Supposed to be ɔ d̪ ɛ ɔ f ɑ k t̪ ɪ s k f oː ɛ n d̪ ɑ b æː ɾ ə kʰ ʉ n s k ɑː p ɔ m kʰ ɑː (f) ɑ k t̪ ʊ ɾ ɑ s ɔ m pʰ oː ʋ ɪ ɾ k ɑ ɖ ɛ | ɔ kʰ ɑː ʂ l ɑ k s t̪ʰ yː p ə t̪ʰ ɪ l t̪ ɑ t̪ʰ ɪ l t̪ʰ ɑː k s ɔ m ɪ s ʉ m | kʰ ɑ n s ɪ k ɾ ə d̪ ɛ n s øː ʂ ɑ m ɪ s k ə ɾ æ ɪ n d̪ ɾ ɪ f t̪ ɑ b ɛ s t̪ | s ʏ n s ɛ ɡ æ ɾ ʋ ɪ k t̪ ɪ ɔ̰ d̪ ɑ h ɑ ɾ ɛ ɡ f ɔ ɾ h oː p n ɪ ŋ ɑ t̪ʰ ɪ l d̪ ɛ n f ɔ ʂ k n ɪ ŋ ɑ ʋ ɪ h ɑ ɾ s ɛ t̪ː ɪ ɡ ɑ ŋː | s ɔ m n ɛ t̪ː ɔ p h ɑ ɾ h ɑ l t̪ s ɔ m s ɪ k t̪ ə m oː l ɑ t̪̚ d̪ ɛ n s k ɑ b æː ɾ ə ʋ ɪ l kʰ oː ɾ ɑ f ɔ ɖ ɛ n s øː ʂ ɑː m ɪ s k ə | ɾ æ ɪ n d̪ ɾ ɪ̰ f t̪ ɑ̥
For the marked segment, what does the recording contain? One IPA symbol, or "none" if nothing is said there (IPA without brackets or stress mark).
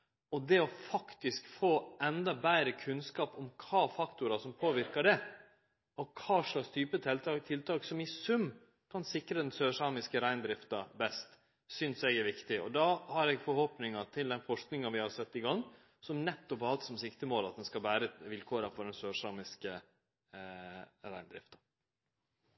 f